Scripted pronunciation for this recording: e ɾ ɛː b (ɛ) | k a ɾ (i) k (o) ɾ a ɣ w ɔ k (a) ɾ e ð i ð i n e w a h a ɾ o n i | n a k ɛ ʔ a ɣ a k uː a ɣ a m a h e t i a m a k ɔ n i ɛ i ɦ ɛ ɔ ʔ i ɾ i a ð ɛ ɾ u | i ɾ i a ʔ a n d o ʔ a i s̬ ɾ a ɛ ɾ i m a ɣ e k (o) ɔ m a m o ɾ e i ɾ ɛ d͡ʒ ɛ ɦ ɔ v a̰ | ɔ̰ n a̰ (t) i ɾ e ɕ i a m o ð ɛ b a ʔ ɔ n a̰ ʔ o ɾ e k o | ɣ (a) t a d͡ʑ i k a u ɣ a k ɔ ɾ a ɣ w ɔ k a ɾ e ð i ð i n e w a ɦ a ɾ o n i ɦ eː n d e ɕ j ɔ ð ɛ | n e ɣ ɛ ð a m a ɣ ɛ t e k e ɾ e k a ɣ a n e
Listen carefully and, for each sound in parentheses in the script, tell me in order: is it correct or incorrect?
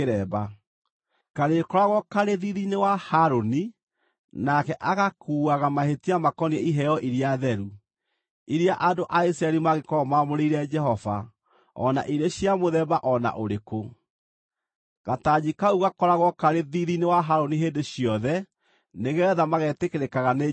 incorrect, incorrect, incorrect, correct, incorrect, incorrect, correct

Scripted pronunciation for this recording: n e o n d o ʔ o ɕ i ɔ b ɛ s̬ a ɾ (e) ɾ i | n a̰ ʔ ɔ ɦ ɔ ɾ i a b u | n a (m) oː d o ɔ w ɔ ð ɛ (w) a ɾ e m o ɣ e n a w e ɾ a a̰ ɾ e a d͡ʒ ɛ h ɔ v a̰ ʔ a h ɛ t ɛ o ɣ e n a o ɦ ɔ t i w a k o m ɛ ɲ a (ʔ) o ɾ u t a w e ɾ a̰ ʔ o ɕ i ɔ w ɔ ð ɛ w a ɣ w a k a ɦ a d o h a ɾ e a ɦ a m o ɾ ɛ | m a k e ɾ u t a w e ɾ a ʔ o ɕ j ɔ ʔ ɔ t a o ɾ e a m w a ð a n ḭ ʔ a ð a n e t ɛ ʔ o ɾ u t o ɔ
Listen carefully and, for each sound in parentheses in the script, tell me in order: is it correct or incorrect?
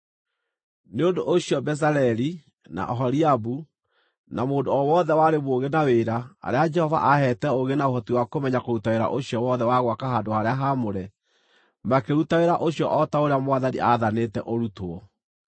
incorrect, correct, correct, incorrect

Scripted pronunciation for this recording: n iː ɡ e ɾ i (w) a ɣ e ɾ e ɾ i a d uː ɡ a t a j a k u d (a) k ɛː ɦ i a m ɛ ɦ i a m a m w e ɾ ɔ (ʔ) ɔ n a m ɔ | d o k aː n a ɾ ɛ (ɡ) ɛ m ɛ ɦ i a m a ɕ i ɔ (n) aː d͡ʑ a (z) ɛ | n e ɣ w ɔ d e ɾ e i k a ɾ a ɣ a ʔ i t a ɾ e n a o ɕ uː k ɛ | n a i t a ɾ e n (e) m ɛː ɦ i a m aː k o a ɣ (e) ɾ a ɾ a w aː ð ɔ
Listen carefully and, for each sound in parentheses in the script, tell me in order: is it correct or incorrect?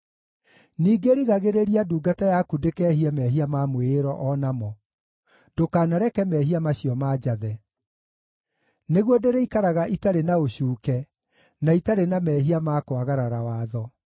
incorrect, incorrect, correct, incorrect, incorrect, incorrect, incorrect, incorrect

